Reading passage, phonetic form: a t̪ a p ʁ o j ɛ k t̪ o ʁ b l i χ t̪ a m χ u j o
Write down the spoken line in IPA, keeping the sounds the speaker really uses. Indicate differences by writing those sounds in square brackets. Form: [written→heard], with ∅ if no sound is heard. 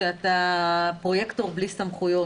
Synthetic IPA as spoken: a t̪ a p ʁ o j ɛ k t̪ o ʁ b l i [χ→s] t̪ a m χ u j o